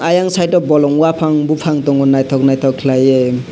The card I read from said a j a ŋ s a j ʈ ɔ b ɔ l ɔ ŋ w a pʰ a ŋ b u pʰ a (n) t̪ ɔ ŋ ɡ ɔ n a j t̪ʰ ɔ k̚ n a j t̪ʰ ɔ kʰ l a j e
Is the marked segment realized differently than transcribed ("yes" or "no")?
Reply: yes